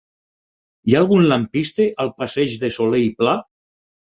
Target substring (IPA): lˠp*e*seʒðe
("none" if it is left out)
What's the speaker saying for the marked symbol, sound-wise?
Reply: a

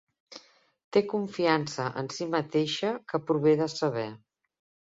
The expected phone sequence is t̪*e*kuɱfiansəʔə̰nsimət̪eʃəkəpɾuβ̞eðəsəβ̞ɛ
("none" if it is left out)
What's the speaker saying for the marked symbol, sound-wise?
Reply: e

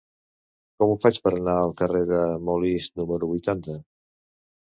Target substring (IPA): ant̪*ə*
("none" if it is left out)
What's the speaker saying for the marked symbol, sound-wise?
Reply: ə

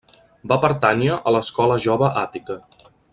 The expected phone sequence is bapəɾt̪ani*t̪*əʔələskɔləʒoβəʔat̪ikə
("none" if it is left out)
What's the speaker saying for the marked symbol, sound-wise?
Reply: none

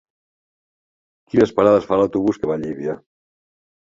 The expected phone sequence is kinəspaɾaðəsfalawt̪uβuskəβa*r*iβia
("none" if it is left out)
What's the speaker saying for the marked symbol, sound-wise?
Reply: ʎ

